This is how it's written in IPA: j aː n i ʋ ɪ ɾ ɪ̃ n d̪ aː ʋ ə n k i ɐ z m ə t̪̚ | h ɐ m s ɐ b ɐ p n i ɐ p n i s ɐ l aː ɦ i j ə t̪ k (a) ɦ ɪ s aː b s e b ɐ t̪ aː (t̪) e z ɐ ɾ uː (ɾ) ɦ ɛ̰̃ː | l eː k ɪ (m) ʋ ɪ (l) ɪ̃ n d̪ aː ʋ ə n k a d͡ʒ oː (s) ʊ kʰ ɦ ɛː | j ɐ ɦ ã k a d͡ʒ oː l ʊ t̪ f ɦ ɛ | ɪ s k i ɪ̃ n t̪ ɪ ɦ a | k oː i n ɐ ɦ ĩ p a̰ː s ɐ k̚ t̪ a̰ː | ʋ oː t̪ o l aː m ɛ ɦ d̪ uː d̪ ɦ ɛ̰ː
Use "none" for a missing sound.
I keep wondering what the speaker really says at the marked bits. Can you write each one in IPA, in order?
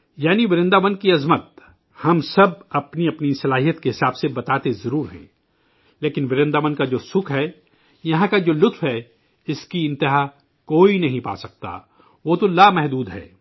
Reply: e, t̪, ɾ, n, ɾ, s

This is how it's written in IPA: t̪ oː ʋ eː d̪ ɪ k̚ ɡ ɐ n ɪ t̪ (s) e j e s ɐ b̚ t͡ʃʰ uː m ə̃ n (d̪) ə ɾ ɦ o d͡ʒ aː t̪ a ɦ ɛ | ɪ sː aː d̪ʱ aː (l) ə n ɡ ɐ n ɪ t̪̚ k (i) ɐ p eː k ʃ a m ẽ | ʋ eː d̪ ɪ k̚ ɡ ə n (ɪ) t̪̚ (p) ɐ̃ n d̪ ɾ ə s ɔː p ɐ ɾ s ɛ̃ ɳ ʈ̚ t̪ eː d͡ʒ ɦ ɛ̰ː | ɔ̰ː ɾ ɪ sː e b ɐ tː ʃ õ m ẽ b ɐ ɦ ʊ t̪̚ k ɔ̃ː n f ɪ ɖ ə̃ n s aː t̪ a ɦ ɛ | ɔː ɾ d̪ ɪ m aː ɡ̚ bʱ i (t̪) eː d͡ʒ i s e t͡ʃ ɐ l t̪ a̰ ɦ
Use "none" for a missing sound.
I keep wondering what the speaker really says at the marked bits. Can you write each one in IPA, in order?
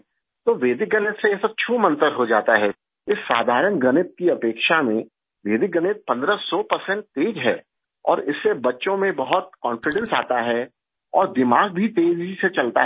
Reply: s, t̪, ɾ, i, ɪ, p, t̪

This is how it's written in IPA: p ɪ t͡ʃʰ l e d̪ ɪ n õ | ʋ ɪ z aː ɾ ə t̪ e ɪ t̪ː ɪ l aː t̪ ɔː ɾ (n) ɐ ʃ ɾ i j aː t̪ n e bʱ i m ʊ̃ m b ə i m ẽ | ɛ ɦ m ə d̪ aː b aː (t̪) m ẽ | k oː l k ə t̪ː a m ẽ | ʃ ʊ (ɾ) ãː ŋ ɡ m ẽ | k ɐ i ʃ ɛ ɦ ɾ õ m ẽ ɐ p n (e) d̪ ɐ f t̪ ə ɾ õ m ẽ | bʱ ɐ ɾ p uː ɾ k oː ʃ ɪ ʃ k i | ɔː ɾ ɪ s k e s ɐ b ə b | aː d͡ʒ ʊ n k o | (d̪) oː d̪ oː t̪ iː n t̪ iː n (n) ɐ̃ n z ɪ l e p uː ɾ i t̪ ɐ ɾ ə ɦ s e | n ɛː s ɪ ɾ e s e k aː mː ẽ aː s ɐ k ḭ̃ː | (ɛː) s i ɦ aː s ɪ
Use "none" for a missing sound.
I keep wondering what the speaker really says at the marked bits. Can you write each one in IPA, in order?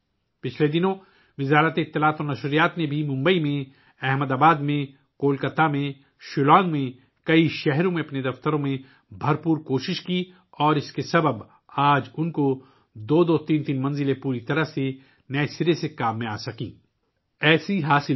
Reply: n, d̪, l, e, d̪, m, ɛː

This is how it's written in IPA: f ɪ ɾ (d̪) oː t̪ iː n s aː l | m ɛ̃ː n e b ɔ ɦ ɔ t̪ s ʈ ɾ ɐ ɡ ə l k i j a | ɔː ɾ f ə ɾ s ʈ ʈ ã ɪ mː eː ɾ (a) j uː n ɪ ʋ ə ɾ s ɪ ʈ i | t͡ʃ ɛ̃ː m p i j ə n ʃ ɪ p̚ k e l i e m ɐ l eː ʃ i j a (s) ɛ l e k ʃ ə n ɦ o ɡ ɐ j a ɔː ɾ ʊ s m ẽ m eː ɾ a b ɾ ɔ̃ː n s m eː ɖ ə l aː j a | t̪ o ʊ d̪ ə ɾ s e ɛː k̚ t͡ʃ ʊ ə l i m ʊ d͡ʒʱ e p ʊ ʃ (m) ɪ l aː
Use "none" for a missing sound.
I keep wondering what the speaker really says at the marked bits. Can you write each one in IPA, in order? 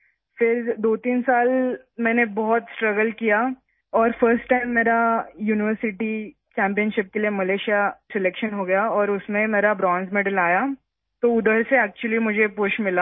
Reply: d̪, a, s, m

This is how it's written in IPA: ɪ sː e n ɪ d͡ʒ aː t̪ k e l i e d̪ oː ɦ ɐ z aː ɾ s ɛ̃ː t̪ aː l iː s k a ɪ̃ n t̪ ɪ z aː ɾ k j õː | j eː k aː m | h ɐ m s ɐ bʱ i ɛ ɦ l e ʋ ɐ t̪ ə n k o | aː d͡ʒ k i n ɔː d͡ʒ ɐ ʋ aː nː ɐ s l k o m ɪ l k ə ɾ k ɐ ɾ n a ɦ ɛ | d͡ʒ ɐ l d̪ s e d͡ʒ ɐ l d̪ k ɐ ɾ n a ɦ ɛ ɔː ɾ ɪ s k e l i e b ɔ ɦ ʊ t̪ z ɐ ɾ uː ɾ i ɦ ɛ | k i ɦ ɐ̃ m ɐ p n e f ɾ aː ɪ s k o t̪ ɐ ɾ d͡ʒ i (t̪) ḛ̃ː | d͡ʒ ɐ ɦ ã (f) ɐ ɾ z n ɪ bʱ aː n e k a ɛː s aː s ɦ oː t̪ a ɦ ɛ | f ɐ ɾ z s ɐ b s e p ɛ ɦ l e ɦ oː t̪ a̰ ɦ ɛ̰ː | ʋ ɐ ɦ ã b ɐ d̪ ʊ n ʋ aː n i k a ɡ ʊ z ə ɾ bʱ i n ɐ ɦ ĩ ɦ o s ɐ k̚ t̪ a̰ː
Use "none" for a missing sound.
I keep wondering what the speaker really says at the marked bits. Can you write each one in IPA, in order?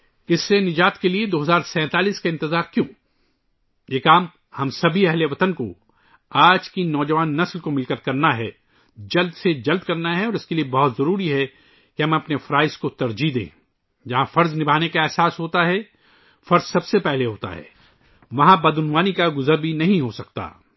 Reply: d̪, f

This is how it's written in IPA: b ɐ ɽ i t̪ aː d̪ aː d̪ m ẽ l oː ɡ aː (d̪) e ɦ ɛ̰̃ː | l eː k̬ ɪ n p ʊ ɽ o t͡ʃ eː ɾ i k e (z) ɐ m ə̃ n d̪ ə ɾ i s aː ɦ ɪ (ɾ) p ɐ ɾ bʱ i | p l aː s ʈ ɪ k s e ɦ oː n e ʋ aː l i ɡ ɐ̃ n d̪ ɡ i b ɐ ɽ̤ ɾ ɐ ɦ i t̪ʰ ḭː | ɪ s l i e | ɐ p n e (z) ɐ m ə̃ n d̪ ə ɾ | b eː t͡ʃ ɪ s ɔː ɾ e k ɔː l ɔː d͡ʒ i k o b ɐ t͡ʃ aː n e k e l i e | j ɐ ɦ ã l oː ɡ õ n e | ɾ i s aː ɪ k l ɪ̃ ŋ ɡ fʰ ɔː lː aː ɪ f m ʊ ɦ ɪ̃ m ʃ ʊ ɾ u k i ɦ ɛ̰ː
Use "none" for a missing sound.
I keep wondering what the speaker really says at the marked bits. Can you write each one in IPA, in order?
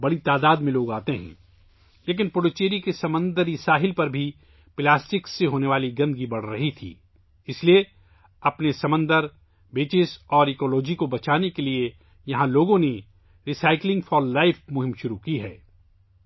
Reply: t̪, s, l, s

